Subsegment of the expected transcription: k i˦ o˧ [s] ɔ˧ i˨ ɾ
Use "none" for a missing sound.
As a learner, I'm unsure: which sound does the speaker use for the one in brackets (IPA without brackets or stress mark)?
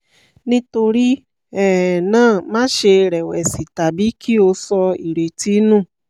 s